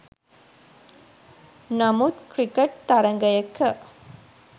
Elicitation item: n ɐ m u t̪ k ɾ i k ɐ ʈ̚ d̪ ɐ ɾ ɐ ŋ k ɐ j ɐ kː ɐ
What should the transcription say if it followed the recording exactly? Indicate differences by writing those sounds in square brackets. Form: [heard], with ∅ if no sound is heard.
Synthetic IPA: n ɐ m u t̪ k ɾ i k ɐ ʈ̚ [t̪] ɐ ɾ ɐ ŋ [ɡ] ɐ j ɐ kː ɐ